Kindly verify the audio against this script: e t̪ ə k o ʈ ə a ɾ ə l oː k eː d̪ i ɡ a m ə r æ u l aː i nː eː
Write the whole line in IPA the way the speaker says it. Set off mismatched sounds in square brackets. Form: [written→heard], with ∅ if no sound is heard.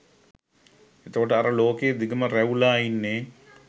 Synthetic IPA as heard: e t̪ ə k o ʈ ə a ɾ ə l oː k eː d̪ i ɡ [a→ə] m ə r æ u l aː i nː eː